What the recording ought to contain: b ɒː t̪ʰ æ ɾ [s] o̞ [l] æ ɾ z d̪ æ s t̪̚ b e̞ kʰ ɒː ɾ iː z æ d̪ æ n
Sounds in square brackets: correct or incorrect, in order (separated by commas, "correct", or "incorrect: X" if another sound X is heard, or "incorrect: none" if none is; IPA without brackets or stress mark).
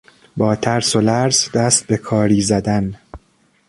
correct, correct